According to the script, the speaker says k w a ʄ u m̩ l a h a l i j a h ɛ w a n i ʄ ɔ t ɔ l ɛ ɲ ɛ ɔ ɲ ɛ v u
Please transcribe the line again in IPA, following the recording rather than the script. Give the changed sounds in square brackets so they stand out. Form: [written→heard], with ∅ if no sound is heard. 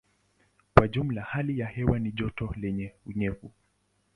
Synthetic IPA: k w a ʄ u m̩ l a h a l i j a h ɛ w a n i ʄ ɔ t ɔ l ɛ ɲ ɛ [ɔ→u] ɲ ɛ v u